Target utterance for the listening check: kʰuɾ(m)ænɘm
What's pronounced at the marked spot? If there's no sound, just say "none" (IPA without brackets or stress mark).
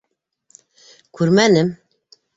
m